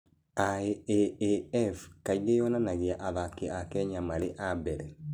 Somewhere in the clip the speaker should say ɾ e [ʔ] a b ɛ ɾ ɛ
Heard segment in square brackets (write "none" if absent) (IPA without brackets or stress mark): ʔ